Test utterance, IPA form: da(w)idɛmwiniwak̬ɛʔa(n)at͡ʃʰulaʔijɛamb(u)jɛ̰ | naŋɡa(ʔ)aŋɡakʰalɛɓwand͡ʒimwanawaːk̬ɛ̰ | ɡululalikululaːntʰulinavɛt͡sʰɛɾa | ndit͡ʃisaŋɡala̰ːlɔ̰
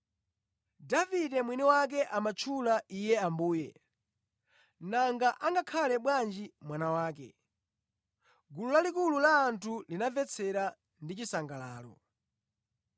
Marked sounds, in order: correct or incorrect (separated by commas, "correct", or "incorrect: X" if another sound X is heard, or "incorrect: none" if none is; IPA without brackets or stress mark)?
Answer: incorrect: v, incorrect: m, incorrect: uː, correct